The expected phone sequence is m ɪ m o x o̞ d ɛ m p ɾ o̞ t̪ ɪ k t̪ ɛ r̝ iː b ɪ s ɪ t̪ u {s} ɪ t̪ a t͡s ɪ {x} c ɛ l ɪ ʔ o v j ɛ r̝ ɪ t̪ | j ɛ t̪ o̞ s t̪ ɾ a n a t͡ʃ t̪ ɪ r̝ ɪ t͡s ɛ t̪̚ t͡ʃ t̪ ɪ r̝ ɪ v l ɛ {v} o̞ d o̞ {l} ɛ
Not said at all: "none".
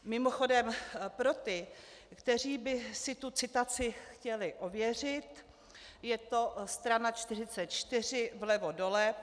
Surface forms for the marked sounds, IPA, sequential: t͡s, x, v, l

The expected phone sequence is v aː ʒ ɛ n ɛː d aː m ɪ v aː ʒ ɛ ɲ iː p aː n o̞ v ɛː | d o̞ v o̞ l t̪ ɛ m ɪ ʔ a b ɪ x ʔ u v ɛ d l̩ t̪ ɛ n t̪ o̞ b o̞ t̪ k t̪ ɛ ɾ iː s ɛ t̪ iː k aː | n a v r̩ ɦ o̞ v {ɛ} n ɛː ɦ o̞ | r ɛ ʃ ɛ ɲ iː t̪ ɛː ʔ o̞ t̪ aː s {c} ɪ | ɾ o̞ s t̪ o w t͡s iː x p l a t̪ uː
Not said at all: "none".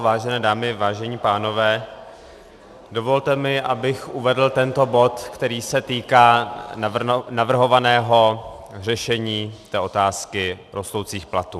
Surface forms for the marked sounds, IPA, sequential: a, k

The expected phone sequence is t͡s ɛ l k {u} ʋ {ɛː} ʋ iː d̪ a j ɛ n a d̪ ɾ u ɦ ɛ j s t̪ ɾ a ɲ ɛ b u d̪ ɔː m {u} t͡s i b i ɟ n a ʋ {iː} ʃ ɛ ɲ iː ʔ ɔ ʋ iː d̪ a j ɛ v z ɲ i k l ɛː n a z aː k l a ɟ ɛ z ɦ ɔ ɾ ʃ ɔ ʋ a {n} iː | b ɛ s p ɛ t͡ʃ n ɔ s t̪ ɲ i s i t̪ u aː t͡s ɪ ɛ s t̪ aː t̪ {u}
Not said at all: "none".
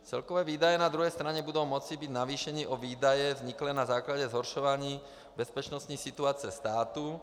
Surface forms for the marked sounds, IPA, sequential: ɔ, ɛː, ɔ, iː, ɲ, u

